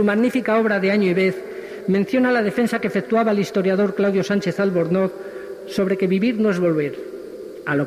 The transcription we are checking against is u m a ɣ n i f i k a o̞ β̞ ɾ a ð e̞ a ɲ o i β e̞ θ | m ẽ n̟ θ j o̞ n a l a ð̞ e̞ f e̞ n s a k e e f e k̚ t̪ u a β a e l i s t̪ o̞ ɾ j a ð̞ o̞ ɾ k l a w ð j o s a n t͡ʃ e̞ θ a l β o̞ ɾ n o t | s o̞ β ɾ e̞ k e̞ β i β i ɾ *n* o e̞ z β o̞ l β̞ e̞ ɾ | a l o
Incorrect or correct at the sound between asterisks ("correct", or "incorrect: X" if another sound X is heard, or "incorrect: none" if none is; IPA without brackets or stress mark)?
correct